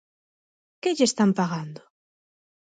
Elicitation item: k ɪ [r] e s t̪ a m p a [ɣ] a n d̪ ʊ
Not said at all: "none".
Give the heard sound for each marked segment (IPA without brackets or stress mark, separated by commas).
ʎ, ɣ